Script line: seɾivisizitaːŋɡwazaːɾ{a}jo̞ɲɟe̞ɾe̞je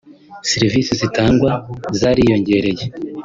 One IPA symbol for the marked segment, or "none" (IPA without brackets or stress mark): i